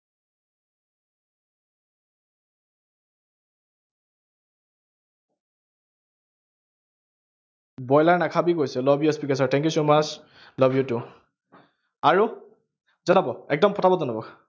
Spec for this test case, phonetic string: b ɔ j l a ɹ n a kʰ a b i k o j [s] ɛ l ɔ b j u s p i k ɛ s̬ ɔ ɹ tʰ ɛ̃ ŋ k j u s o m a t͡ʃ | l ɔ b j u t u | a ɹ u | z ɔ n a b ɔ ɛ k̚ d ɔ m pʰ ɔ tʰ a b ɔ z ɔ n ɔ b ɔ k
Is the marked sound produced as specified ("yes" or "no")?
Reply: yes